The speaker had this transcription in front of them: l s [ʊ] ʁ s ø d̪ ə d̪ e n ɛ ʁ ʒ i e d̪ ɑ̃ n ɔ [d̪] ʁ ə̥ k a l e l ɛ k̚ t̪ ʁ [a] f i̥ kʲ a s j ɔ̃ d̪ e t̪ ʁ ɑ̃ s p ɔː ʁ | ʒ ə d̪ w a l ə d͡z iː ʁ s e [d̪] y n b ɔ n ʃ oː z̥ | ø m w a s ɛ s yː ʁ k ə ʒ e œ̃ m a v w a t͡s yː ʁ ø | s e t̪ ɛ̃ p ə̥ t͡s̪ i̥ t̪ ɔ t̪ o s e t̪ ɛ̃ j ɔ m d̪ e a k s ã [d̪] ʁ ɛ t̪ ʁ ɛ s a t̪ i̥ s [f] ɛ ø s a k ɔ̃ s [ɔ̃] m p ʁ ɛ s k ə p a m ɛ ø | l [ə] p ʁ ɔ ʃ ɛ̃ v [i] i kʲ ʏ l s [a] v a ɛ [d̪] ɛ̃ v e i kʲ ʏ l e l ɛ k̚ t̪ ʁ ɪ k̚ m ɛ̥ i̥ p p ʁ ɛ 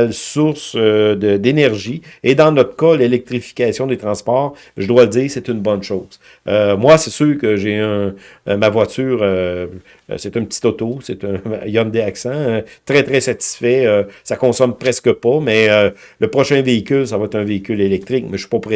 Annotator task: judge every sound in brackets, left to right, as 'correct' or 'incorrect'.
correct, incorrect, incorrect, incorrect, incorrect, correct, incorrect, correct, incorrect, correct, incorrect

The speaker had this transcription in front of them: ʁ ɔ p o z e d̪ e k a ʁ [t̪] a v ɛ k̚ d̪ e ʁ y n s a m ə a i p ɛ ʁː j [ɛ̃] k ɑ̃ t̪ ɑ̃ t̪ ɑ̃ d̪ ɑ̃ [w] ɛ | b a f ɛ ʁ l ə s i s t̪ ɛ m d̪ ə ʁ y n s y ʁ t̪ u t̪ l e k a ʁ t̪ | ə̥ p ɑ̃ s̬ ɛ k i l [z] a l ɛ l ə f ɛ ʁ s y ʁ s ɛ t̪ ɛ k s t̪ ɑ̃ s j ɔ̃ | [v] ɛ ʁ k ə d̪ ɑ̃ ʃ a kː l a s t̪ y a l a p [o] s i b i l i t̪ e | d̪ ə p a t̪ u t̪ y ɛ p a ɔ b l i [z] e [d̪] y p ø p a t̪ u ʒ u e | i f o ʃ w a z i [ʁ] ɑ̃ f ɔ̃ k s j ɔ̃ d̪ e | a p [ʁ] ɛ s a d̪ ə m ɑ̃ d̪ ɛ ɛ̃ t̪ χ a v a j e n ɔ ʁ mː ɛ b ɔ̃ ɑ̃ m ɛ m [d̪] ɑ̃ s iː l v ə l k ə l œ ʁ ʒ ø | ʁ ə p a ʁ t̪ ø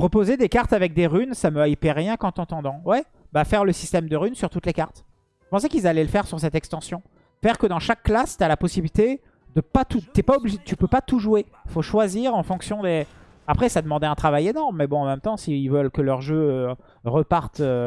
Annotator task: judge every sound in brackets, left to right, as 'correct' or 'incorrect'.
correct, correct, correct, correct, incorrect, incorrect, incorrect, incorrect, correct, incorrect, incorrect

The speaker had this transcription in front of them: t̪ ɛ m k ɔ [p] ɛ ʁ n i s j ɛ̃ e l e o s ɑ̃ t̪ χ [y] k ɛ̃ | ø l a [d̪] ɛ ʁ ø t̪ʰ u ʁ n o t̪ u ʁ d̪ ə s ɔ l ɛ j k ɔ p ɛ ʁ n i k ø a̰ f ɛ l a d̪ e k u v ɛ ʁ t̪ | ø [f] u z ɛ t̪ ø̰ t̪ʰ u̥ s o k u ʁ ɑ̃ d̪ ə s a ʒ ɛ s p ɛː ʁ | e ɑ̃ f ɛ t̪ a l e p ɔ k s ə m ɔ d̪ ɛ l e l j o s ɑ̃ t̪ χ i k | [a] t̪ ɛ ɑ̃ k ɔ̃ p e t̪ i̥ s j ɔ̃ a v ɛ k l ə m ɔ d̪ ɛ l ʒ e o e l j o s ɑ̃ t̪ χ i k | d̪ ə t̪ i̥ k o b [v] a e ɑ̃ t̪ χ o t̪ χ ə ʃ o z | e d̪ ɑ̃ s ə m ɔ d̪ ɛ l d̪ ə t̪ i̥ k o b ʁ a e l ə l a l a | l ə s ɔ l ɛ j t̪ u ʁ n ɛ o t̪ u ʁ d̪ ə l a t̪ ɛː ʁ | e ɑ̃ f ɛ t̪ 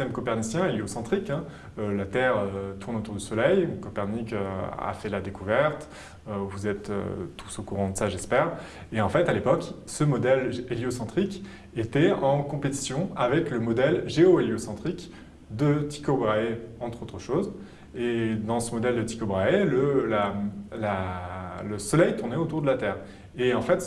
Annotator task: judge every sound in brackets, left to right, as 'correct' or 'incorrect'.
correct, incorrect, incorrect, incorrect, incorrect, incorrect

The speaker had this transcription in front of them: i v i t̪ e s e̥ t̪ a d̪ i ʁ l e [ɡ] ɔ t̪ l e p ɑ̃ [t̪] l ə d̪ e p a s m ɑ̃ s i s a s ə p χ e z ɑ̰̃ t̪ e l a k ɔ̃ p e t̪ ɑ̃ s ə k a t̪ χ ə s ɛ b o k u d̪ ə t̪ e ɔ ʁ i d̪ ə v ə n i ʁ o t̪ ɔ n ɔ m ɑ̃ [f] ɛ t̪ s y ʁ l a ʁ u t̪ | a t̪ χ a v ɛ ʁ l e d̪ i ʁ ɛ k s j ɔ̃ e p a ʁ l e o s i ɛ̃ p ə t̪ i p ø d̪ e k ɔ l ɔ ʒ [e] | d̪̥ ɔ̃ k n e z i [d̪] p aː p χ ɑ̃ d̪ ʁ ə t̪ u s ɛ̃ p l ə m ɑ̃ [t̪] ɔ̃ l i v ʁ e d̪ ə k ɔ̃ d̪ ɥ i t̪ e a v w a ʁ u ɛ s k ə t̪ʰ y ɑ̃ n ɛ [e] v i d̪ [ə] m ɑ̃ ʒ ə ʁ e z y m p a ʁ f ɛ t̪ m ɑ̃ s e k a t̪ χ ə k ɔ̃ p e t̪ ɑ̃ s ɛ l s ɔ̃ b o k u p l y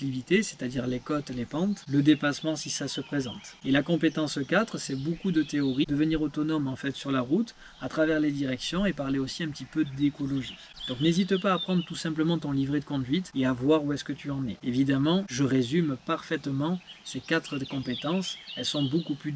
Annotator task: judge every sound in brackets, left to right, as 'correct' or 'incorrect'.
incorrect, correct, correct, incorrect, incorrect, correct, correct, incorrect

